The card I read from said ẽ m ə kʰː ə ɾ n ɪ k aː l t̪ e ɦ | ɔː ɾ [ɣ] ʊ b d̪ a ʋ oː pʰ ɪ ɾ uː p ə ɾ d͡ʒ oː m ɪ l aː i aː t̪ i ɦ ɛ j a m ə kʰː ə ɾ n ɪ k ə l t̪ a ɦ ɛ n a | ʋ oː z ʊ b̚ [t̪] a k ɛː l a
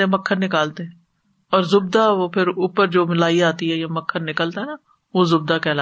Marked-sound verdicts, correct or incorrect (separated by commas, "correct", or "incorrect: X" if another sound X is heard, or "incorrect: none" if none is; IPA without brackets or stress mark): incorrect: z, incorrect: d̪